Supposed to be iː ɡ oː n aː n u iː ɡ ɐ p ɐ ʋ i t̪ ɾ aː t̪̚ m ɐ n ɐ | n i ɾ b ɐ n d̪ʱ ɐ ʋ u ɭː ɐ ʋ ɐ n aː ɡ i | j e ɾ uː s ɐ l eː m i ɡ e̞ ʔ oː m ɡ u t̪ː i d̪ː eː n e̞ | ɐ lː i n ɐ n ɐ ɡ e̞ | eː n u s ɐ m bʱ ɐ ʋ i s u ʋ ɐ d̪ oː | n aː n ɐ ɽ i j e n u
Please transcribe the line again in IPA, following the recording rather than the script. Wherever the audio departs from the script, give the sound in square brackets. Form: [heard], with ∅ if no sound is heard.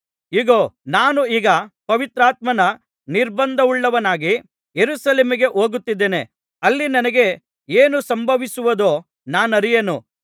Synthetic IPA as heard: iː ɡ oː n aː n u iː ɡ ɐ p ɐ ʋ i t̪ ɾ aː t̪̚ m ɐ n ɐ | n i ɾ b ɐ n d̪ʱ ɐ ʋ u ɭː ɐ ʋ ɐ n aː ɡ i | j e ɾ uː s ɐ l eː m i ɡ e̞ ʔ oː [∅] ɡ u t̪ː i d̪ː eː n e̞ | ɐ lː i n ɐ n ɐ ɡ e̞ | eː n u s ɐ m bʱ ɐ ʋ i s u ʋ ɐ d̪ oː | n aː n ɐ [ɾ] i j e n u

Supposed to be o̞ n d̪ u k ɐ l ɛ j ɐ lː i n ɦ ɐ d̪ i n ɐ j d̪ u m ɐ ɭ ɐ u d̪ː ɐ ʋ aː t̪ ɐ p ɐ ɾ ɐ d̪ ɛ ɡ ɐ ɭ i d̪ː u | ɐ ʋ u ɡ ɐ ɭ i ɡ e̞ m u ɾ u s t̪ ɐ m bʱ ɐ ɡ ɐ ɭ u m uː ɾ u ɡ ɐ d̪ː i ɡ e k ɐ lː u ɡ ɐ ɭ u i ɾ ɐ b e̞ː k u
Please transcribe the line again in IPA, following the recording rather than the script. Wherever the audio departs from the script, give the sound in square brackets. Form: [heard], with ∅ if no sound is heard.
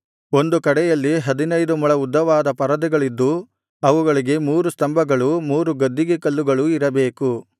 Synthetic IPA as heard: o̞ n d̪ u k ɐ [ɽ] ɛ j ɐ lː i [∅] ɦ ɐ d̪ i n ɐ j d̪ u m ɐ ɭ ɐ u d̪ː ɐ ʋ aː [d̪] ɐ p ɐ ɾ ɐ d̪ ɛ ɡ ɐ ɭ i d̪ː u | ɐ ʋ u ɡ ɐ ɭ i ɡ e̞ m [uː] ɾ u s t̪ ɐ m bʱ ɐ ɡ ɐ ɭ u m uː ɾ u ɡ ɐ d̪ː i ɡ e k ɐ lː u ɡ ɐ ɭ u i ɾ ɐ b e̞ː k u

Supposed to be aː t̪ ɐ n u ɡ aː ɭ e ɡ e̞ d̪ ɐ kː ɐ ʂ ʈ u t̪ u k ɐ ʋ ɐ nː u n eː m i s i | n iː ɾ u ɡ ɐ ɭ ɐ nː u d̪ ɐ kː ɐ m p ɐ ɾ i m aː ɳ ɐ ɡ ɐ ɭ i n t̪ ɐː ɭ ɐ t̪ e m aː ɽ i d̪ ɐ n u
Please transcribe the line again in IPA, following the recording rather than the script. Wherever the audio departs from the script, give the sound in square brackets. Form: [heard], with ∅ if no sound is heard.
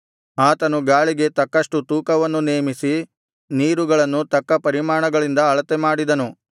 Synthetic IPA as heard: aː t̪ ɐ n u ɡ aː ɭ [i] ɡ e̞ [t̪] ɐ kː ɐ ʂ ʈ u t̪ [uː] k ɐ ʋ ɐ nː u n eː m i s i | n iː ɾ u ɡ ɐ ɭ ɐ nː u [t̪] ɐ kː ɐ [∅] p ɐ ɾ i m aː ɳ ɐ ɡ ɐ ɭ i n [d̪] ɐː ɭ ɐ t̪ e m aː ɽ i d̪ ɐ n u

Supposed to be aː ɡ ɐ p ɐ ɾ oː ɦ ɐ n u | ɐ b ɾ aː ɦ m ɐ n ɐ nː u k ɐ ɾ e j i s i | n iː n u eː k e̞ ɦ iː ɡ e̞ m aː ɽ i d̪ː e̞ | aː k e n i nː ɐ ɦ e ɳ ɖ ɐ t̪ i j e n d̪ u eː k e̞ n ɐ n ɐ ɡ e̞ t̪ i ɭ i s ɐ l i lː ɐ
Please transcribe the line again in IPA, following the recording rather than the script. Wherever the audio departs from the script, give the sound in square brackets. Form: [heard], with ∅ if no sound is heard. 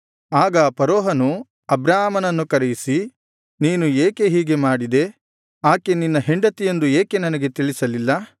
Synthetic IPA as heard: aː ɡ ɐ p ɐ ɾ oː ɦ ɐ n u | ɐ b ɾ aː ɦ m ɐ n ɐ nː u k ɐ ɾ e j i s i | n iː n u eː k e̞ ɦ iː ɡ e̞ m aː ɽ i [d̪] e̞ | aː k e n i nː ɐ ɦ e ɳ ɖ ɐ t̪ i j e n d̪ u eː k e̞ n ɐ n ɐ ɡ e̞ t̪ i ɭ i s ɐ l i lː ɐ

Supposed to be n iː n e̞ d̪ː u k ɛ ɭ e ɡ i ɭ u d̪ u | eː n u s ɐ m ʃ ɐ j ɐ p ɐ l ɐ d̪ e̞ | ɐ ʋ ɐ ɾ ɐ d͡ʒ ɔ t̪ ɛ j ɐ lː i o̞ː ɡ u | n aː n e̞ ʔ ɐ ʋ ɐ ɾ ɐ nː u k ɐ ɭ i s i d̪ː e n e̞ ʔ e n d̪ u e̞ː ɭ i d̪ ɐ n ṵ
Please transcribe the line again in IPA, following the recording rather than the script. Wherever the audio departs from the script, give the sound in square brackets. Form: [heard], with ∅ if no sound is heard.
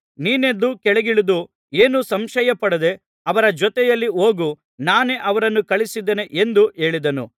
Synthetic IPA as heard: n iː n e̞ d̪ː u k ɛ ɭ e ɡ i ɭ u d̪ u | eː n u s ɐ m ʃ ɐ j ɐ p ɐ [ɽ] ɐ d̪ e̞ | ɐ ʋ ɐ ɾ ɐ d͡ʒ ɔ t̪ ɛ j ɐ lː i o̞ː ɡ u | n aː n e̞ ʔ ɐ ʋ ɐ ɾ ɐ nː u k ɐ ɭ i s i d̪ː e n e̞ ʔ e n d̪ u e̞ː ɭ i d̪ ɐ n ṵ

